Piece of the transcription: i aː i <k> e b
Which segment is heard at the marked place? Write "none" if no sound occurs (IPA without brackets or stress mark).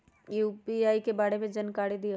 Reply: k